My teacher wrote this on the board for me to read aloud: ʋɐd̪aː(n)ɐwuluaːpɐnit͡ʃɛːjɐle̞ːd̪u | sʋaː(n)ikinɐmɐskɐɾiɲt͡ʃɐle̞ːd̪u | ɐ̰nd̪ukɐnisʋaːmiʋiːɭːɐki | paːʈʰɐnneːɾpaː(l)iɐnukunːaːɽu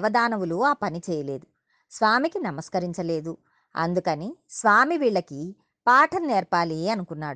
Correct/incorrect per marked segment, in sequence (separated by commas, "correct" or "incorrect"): correct, incorrect, correct